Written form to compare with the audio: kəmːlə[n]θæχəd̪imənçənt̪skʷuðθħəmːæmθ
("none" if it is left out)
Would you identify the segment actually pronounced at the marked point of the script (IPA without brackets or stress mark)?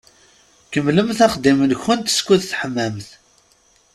m